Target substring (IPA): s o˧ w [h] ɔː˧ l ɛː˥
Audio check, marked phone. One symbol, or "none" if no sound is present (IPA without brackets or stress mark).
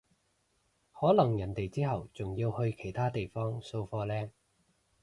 f